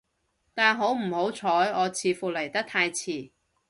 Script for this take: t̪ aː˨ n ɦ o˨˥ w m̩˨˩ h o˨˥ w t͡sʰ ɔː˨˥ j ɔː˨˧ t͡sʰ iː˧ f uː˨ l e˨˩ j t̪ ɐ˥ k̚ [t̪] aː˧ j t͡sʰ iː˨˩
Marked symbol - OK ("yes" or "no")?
no